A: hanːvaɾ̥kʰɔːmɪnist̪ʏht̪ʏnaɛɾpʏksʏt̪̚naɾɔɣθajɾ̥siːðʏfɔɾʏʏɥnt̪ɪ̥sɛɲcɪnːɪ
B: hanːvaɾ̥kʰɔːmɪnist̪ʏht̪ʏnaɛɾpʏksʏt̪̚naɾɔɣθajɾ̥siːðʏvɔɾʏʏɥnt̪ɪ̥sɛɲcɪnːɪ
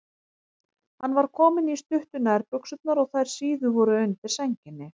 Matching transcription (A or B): B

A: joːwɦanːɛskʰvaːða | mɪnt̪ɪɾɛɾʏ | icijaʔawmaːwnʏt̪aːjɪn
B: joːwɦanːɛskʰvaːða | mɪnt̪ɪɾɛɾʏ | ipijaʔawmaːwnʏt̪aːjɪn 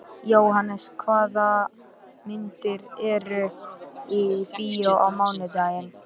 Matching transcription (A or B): B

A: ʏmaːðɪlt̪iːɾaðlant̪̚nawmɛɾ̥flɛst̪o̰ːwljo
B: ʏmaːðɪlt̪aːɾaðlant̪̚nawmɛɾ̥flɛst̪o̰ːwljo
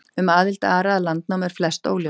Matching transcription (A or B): B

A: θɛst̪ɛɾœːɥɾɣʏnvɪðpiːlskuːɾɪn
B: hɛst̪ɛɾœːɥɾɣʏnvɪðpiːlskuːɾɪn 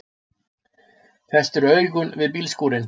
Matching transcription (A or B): A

